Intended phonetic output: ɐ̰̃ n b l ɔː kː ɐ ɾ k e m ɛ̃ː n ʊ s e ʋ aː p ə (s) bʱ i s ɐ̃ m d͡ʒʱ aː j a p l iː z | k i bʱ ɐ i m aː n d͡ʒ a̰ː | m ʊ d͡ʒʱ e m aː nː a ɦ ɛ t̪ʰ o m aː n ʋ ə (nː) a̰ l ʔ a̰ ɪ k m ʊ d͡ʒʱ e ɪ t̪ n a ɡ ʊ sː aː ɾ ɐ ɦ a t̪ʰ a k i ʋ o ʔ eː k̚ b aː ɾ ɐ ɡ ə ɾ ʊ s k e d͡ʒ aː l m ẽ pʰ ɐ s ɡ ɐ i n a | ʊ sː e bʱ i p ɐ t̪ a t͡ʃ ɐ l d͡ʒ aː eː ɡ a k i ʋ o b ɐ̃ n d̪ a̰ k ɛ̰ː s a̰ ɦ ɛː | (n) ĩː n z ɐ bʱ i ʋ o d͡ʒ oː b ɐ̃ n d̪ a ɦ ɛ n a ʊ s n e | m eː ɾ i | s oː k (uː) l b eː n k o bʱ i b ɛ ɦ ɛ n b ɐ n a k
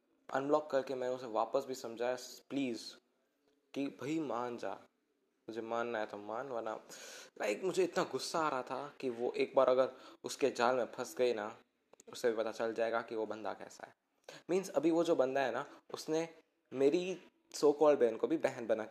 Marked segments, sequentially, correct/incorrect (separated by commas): correct, incorrect, incorrect, incorrect